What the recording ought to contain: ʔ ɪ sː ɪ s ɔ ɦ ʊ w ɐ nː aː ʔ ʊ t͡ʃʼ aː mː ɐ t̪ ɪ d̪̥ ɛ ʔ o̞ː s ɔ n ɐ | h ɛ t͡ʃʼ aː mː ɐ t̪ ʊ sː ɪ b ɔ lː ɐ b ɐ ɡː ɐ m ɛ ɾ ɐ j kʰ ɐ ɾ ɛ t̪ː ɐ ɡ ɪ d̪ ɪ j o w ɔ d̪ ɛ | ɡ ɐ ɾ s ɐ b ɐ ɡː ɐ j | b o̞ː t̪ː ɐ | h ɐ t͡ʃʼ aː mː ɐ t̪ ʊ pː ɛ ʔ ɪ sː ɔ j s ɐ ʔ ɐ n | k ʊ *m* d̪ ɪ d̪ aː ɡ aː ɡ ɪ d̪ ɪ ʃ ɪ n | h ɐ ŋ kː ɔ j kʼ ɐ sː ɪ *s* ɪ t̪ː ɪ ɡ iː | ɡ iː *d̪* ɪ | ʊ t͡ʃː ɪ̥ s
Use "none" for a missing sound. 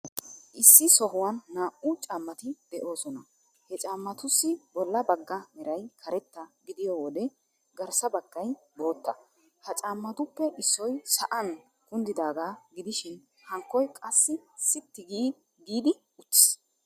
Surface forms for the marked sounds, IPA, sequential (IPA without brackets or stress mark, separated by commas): n, s, d̪